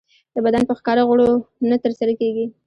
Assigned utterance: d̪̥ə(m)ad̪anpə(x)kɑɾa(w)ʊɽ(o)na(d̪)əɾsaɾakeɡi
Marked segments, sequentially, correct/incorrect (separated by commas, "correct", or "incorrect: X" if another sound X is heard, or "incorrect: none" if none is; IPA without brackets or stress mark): incorrect: b, correct, incorrect: ɣ, correct, incorrect: t̪